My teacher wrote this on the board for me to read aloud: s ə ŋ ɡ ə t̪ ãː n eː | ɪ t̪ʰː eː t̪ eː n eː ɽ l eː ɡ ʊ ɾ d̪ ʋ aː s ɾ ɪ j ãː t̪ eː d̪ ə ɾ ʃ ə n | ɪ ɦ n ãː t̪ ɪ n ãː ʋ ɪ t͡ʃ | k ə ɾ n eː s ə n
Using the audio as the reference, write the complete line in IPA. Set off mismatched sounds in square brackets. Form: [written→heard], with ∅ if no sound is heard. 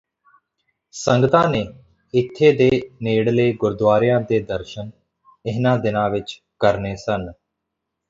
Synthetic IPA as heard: s ə ŋ ɡ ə t̪ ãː n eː | ɪ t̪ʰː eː [t̪→d̪] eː n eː ɽ l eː ɡ ʊ ɾ d̪ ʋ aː [s→∅] ɾ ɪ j ãː [t̪→d̪] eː d̪ ə ɾ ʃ ə n | ɪ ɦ n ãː [t̪→d̪] ɪ n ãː ʋ ɪ t͡ʃ | k ə ɾ n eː s ə n